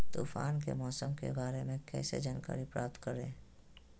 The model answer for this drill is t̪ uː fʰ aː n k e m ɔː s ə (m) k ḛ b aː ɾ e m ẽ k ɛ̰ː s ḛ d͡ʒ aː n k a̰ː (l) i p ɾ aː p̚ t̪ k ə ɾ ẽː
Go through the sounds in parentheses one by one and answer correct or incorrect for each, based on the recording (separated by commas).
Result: correct, incorrect